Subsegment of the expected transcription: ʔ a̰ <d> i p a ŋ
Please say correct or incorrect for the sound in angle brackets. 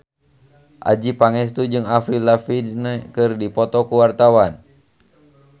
incorrect